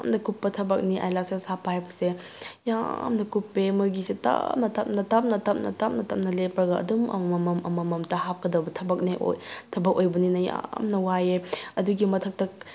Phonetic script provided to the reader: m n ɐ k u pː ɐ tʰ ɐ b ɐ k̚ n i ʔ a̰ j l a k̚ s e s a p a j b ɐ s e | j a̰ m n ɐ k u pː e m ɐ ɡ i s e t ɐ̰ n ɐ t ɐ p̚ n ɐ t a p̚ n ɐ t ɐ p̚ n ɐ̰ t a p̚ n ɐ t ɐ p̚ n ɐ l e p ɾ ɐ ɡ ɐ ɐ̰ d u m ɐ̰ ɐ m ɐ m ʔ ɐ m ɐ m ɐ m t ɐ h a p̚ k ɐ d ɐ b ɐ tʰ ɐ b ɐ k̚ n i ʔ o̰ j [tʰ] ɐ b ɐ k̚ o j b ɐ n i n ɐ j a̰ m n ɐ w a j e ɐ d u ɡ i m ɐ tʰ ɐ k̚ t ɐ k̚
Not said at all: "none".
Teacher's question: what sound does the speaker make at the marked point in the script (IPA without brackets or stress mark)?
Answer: tʰ